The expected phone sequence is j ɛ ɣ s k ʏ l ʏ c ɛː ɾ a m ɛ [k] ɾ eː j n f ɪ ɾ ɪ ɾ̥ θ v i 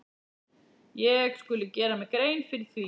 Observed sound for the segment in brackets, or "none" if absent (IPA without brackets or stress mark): k